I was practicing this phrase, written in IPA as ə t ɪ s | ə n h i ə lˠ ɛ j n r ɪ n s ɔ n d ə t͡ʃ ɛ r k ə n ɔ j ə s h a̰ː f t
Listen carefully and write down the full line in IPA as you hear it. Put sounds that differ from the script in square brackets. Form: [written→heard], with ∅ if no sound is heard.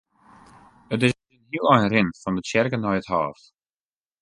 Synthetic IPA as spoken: ə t ɪ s | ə n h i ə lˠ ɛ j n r ɪ n [s→f] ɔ n d ə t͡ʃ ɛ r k ə n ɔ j ə [s→t] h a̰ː f t